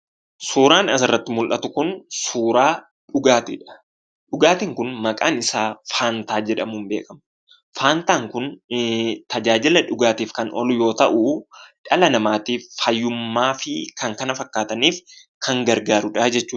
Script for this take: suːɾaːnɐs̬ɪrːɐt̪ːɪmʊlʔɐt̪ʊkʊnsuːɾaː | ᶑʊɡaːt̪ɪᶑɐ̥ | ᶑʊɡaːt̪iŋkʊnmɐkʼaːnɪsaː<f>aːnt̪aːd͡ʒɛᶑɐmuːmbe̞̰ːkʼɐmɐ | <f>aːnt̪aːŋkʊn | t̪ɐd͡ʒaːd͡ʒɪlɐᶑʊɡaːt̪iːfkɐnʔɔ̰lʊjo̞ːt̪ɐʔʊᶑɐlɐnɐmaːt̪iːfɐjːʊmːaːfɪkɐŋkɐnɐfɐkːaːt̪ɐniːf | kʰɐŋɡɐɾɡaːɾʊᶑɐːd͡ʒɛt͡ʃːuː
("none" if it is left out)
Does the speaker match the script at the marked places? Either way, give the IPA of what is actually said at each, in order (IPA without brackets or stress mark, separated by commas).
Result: f, f